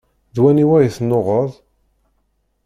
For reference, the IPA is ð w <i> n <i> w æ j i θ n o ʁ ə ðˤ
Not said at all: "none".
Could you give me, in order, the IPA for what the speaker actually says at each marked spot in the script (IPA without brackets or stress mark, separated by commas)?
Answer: æ, i